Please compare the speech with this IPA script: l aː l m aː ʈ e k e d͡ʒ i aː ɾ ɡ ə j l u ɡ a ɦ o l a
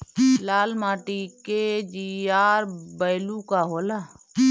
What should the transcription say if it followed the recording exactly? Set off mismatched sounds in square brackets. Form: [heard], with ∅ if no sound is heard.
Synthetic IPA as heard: l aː l m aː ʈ [i] k e d͡ʒ i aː ɾ [b] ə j l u [k] a ɦ o l a